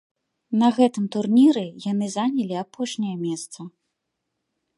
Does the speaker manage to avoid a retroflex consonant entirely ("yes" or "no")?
no